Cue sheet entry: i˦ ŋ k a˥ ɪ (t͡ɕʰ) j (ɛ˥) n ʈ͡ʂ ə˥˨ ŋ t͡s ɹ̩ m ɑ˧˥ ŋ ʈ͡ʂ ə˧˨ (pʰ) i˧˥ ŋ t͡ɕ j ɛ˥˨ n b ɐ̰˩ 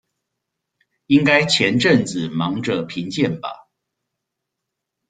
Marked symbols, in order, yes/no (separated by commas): yes, no, yes